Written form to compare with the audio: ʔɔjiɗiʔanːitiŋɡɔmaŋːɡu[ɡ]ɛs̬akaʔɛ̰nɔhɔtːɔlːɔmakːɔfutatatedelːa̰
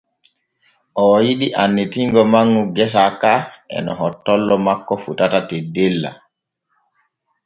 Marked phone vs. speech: correct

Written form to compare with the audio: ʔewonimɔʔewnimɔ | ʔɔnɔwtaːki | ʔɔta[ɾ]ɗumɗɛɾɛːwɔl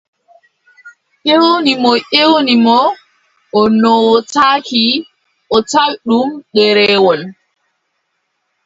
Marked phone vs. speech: incorrect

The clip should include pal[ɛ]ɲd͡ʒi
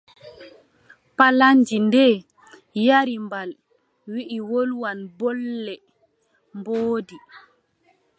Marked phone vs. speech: incorrect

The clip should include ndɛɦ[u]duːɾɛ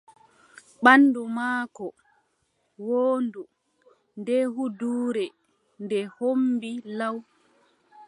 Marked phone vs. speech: correct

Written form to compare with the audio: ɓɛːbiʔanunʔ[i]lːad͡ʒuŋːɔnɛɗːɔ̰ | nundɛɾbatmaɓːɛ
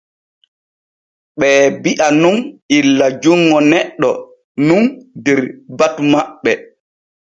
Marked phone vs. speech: correct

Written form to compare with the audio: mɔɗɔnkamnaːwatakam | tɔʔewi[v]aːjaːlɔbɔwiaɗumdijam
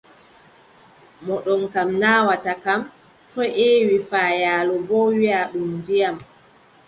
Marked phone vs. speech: incorrect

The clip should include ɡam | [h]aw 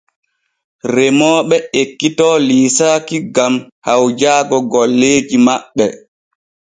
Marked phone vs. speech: correct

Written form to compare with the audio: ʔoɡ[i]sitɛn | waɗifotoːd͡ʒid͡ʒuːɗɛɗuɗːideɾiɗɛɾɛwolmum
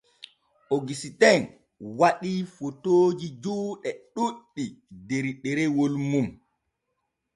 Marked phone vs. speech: correct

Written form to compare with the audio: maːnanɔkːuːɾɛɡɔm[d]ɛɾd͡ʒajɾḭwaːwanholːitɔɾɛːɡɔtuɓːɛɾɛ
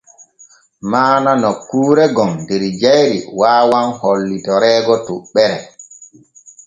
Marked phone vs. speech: correct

